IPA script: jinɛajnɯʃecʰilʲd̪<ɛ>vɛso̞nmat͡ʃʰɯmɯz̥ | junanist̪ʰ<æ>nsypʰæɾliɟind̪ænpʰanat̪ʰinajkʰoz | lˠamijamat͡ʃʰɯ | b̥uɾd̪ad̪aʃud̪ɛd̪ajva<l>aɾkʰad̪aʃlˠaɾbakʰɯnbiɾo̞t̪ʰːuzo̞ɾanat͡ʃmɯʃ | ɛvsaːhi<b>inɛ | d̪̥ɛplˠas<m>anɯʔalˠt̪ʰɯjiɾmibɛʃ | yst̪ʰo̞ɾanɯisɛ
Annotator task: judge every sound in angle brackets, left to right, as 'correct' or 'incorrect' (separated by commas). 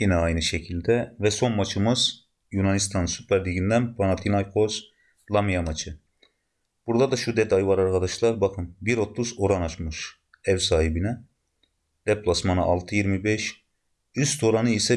correct, incorrect, incorrect, correct, correct